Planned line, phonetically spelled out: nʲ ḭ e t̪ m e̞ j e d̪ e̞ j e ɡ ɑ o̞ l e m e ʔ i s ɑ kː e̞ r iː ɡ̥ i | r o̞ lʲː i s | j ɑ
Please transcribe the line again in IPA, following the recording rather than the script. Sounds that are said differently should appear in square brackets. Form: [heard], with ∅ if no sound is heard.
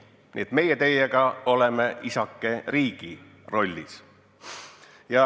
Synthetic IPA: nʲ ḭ e t̪ m e̞ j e [t̪] e̞ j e ɡ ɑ o̞ l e m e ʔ i s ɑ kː e̞ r iː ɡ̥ i | r o̞ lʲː i s | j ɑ